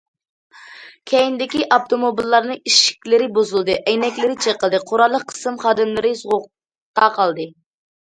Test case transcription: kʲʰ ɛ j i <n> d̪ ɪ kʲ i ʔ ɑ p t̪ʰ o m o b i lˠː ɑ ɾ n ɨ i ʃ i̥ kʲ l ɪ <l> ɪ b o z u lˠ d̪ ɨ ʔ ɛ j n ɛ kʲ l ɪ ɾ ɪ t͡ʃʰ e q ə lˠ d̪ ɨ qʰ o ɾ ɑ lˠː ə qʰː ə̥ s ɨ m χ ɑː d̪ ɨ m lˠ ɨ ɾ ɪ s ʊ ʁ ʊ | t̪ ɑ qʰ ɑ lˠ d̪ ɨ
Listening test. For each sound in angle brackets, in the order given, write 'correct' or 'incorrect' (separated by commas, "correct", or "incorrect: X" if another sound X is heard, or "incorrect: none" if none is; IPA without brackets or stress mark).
correct, incorrect: ɾ